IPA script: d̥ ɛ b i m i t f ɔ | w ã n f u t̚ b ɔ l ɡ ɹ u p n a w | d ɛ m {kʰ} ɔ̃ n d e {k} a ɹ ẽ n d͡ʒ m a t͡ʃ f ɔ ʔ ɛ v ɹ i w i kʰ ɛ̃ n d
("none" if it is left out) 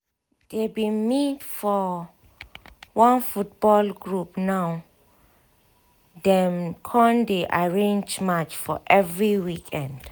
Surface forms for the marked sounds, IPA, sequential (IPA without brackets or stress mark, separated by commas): kʰ, ʔ